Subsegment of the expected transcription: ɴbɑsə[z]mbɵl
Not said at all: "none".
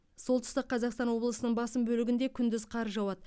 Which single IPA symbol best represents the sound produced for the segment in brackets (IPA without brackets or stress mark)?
none